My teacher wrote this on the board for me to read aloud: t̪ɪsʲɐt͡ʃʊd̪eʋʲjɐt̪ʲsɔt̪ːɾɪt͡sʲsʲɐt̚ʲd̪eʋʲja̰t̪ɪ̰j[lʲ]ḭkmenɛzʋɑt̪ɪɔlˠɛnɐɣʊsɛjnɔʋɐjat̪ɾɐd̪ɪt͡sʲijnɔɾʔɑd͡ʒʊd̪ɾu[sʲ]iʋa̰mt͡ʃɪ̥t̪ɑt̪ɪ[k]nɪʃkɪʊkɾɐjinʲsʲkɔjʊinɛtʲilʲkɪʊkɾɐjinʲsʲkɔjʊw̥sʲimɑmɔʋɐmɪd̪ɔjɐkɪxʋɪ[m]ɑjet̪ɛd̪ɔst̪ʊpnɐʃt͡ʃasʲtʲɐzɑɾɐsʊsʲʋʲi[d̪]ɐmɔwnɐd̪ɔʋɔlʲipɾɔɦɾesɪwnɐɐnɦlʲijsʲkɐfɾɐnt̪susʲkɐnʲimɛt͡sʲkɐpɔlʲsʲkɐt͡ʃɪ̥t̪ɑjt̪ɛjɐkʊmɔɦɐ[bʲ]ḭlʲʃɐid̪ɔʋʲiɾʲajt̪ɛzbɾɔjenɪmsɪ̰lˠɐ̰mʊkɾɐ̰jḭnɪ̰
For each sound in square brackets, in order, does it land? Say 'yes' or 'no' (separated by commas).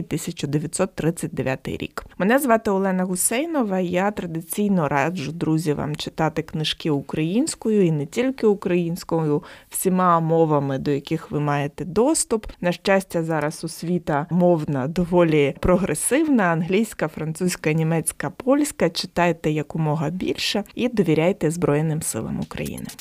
no, no, yes, yes, no, yes